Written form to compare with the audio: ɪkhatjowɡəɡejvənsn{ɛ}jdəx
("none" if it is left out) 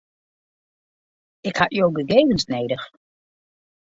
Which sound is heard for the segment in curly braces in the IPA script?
e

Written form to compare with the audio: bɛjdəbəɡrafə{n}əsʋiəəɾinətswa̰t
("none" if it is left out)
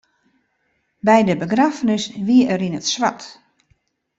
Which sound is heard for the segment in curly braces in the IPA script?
n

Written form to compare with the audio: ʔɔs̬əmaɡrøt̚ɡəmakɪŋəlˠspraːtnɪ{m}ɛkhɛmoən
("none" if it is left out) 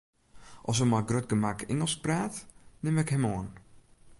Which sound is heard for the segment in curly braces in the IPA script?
m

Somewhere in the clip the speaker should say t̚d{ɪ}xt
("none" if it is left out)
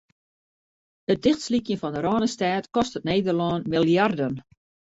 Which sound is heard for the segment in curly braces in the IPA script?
ɪ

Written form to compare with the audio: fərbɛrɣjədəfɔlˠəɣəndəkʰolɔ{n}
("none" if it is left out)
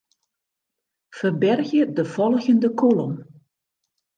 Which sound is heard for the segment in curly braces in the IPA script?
m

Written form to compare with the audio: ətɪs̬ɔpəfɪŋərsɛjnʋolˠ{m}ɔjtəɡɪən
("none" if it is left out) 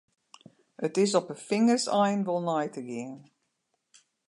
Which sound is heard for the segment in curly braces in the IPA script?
n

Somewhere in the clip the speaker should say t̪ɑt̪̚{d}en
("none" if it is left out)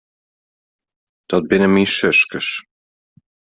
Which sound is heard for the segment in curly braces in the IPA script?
b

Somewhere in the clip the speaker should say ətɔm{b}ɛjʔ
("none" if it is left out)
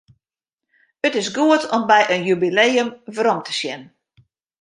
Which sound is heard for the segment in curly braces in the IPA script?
b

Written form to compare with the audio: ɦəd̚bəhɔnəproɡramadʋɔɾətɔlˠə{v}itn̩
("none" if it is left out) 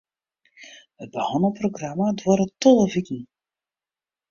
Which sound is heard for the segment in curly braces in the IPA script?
v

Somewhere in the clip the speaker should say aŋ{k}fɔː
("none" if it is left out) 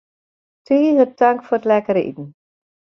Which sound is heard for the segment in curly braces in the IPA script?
k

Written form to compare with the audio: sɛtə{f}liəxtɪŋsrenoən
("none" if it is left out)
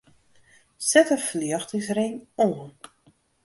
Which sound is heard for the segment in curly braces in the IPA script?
f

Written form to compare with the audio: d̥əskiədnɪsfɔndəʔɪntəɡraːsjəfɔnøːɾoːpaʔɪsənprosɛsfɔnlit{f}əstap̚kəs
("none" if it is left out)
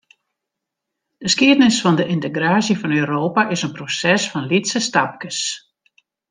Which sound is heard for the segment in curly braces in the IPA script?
s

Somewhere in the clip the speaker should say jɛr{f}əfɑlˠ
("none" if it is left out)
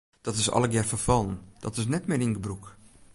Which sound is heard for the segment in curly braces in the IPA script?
f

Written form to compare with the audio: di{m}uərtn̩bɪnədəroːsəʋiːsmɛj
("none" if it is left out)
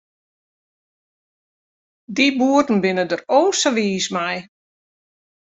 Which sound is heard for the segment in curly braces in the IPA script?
b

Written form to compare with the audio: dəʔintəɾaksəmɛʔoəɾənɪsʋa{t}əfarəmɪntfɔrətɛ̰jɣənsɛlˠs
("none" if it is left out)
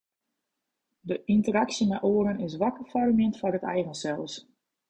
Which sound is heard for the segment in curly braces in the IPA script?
k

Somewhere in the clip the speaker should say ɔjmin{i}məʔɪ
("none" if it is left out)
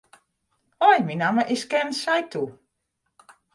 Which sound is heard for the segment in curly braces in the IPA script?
a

